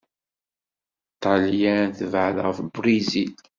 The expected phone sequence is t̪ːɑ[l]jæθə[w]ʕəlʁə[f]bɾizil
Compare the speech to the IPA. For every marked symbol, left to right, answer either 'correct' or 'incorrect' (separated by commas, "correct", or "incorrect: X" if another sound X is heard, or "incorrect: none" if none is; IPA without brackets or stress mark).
correct, incorrect: v, correct